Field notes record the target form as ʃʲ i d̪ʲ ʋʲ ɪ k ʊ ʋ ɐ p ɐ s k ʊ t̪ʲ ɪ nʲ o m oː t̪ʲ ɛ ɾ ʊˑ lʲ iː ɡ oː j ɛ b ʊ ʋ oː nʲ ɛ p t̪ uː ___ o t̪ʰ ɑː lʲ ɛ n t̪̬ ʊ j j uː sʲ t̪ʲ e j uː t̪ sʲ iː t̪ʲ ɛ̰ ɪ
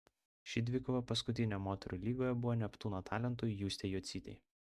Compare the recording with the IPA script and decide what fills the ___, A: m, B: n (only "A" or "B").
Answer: B